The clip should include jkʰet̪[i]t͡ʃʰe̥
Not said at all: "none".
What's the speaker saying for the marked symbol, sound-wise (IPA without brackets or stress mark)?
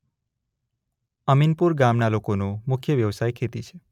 i